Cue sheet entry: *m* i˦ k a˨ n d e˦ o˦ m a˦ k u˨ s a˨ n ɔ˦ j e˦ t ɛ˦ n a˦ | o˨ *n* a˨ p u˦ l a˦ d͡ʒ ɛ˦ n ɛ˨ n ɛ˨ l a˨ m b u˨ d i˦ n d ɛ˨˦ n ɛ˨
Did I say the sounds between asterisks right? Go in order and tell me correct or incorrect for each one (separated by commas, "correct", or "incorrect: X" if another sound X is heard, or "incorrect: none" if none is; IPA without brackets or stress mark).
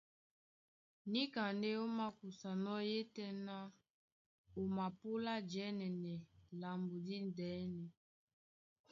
incorrect: n, incorrect: m